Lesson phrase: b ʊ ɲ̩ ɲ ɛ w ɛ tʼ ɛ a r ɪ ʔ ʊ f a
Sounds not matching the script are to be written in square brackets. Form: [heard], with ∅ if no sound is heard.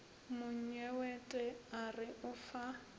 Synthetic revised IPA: [m] ʊ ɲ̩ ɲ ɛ w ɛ tʼ ɛ a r ɪ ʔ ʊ f a